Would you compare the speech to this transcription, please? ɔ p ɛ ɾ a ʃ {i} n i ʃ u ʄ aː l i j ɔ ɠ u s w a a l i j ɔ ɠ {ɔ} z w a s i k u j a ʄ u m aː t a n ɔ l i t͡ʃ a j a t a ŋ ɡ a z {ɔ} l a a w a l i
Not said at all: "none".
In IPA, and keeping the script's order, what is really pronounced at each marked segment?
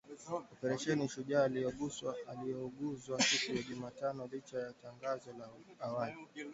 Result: ɛ, u, ɔ

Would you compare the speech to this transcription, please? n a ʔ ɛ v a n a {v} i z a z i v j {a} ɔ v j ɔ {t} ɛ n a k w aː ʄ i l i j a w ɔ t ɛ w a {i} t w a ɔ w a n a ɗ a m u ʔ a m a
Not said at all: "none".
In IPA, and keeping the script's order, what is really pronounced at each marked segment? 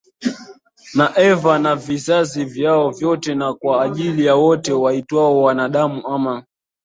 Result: v, a, t, i

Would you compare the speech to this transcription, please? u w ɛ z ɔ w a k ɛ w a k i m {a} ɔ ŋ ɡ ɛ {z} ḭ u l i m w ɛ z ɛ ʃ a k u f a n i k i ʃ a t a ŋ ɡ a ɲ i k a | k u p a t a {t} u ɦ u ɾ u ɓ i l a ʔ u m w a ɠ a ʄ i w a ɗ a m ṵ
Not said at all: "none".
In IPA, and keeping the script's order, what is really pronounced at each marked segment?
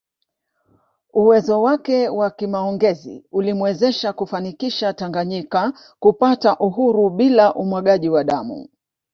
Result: a, z, ʔ

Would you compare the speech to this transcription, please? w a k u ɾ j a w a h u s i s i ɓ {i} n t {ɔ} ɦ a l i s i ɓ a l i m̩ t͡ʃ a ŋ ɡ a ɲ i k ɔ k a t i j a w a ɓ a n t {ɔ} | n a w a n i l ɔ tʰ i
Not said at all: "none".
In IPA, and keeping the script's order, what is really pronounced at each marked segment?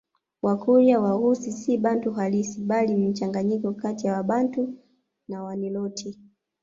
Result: a, u, u

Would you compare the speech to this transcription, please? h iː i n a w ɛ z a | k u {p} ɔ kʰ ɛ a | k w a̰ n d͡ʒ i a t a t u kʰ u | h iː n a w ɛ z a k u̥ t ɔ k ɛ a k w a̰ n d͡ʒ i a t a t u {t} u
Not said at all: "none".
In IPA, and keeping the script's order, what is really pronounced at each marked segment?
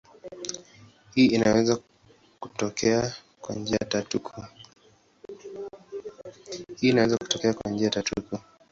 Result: t, k

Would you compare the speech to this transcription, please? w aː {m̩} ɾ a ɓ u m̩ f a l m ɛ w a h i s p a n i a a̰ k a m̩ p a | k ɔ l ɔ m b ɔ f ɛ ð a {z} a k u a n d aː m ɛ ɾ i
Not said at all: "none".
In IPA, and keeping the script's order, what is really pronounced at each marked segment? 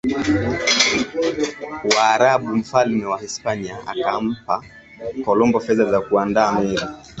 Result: none, z

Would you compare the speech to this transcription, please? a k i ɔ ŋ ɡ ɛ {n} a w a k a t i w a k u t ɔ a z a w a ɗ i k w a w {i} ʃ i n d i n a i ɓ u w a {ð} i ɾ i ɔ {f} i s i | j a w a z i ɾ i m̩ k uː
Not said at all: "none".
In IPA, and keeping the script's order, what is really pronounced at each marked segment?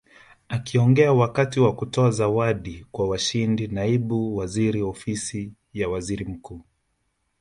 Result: none, a, z, f

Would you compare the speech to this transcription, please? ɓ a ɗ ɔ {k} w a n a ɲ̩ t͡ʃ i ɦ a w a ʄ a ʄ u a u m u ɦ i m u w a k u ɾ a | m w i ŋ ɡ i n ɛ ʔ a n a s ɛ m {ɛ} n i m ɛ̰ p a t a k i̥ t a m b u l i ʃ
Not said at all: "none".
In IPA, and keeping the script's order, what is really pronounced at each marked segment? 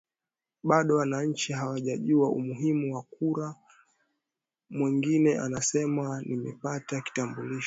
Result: none, a

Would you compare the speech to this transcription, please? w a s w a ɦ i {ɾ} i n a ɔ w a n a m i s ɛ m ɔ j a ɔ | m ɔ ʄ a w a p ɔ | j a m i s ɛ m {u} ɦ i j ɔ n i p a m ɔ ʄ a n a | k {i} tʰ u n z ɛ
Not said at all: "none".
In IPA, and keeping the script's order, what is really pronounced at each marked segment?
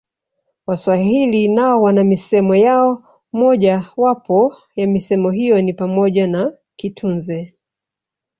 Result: l, ɔ, i

